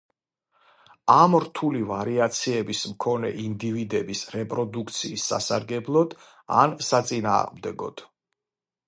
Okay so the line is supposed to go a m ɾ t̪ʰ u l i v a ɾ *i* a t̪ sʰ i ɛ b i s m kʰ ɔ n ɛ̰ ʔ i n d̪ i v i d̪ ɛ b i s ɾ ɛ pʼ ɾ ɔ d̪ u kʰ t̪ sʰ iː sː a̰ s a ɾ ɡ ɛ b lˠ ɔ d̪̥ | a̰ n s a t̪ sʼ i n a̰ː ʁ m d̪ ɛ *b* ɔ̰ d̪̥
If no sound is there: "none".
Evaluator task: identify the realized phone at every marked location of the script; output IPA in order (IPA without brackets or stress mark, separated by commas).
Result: i, ɡ